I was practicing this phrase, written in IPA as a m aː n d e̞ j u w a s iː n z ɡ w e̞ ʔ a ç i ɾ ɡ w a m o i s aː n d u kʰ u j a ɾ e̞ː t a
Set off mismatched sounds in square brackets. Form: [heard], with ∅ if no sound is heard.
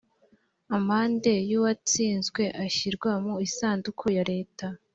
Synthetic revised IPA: a m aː n d e̞ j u w a [t͡s] iː n z ɡ w e̞ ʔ a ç i ɾ ɡ w a m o i s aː n d u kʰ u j a ɾ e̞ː t a